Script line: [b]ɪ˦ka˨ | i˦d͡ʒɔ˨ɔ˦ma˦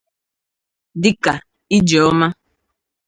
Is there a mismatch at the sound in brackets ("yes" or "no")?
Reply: yes